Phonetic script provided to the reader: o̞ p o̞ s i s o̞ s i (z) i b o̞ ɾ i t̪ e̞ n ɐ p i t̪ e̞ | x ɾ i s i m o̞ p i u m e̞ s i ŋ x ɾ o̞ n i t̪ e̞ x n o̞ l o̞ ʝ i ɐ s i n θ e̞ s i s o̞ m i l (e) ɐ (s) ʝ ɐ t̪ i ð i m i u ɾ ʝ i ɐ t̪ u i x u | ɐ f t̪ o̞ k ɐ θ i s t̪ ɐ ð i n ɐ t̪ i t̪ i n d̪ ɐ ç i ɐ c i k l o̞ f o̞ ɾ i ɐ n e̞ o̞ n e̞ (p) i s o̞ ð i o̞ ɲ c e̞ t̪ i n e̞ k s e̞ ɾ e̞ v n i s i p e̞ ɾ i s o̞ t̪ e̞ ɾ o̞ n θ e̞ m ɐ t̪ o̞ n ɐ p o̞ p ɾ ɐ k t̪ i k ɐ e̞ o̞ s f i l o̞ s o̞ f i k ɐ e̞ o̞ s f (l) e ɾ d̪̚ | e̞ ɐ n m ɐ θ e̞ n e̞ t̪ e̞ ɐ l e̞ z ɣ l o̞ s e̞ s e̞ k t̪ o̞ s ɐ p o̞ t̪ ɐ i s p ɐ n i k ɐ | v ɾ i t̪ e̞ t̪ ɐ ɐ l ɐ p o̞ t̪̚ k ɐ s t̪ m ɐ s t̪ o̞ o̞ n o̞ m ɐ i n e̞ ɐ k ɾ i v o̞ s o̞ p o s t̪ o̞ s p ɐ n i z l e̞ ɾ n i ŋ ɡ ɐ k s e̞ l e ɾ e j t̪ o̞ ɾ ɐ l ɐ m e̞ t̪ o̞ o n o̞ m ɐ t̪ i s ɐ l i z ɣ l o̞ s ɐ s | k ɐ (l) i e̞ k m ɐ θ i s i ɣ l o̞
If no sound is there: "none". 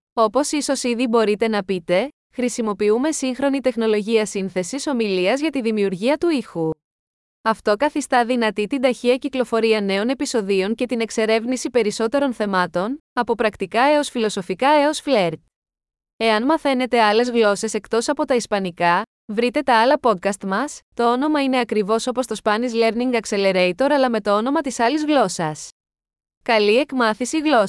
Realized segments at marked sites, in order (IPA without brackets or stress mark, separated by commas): ð, i, z, p, l, l